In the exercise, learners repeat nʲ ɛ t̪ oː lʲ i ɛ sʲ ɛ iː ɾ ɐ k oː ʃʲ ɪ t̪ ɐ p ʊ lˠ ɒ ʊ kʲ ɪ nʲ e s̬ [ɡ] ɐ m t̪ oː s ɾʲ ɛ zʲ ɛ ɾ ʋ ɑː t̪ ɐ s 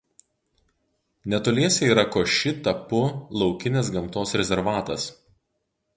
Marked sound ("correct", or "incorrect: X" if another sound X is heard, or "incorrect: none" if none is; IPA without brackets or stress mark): correct